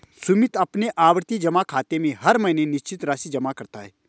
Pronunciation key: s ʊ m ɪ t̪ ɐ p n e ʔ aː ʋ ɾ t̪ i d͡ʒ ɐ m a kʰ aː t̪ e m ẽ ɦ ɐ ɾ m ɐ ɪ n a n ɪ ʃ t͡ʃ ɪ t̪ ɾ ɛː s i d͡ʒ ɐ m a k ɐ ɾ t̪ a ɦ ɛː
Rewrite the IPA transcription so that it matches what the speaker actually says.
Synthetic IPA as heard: s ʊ m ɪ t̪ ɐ p n e ʔ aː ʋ ɾ t̪ i d͡ʒ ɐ m a kʰ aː t̪ e m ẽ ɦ ɐ ɾ m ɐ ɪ n e n ɪ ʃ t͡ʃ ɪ t̪ ɾ aː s i d͡ʒ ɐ m a k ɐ ɾ t̪ a ɦ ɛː